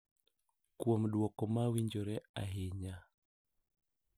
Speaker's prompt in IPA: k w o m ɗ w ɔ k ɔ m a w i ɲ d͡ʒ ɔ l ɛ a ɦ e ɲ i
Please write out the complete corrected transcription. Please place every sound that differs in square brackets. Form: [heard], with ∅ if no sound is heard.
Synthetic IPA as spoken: k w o m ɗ w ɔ k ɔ m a w i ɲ d͡ʒ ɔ [ɾ] ɛ a ɦ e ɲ [a]